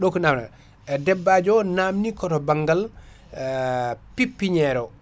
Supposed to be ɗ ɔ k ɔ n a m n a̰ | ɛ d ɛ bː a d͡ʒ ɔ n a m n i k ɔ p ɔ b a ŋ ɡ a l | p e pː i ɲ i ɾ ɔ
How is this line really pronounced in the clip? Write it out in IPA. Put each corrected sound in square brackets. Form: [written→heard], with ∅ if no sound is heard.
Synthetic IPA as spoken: ɗ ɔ k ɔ n a m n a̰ | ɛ d ɛ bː a d͡ʒ ɔ n a m n i k ɔ [p→t] ɔ b a ŋ ɡ a l | p [e→i] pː i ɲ [i→ɛ] ɾ ɔ